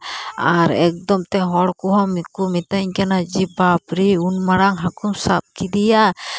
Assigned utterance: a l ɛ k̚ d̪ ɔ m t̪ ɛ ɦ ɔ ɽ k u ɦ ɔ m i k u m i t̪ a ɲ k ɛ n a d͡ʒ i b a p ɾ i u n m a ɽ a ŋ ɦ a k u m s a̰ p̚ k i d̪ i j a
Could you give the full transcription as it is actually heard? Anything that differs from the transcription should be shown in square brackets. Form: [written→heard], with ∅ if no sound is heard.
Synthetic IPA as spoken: a [l→ɾ] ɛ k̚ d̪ ɔ m t̪ ɛ ɦ ɔ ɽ k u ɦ ɔ m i k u m i t̪ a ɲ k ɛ n a d͡ʒ i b a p ɾ i u n m a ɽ a ŋ ɦ a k u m s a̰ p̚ k i d̪ i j a